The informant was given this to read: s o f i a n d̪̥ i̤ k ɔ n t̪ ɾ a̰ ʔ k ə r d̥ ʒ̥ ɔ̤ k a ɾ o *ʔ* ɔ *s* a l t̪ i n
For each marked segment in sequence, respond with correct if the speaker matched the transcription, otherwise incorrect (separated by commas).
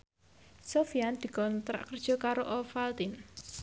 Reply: correct, incorrect